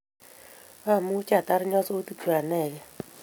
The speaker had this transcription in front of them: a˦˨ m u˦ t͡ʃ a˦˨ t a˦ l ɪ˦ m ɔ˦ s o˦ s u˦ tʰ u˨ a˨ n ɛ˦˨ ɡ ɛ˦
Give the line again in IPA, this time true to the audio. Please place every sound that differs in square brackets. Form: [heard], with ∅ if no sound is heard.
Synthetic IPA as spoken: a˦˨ m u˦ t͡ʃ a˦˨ t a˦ [ɾ] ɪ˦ [ɲ] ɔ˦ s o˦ [t] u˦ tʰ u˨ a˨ n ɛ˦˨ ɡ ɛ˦